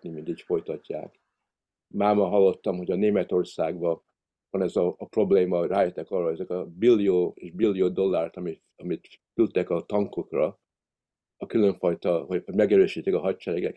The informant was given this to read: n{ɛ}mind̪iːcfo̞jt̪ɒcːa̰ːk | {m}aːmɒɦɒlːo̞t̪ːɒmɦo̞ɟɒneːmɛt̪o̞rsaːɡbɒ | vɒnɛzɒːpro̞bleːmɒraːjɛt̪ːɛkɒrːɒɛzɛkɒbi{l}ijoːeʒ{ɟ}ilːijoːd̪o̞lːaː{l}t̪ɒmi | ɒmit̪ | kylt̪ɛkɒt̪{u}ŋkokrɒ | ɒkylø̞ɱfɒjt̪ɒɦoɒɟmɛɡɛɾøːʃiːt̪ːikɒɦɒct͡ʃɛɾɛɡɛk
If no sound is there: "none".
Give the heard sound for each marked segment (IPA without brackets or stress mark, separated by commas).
i, m, lː, b, r, ɒ